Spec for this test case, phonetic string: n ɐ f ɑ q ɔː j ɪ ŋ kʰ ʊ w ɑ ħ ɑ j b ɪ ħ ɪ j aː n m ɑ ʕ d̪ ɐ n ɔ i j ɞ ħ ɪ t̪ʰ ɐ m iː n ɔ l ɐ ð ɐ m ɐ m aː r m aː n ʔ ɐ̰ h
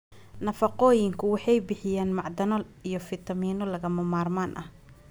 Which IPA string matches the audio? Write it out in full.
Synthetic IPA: n ɐ f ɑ q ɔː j ɪ ŋ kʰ ʊ w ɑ ħ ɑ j b ɪ ħ ɪ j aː n m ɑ ʕ d̪ ɐ n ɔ i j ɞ f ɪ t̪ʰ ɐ m iː n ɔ l ɐ ɣ ɐ m ɐ m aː r m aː n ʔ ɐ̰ h